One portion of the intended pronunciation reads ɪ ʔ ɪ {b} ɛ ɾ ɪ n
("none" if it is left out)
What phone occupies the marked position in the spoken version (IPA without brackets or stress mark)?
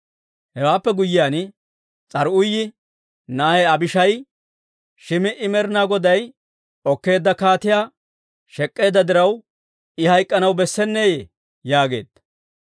m